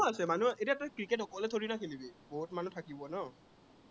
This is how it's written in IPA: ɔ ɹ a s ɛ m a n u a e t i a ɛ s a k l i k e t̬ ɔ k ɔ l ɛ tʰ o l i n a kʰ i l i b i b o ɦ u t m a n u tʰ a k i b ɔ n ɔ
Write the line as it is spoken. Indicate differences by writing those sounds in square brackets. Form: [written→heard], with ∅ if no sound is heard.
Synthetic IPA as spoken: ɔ [ɹ→∅] a s ɛ m a n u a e t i a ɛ [s→t] a k [l→ɹ] i k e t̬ ɔ k ɔ l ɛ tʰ o [l→ɹ] i n a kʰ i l i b i b o ɦ u t m a n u tʰ a k i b ɔ n ɔ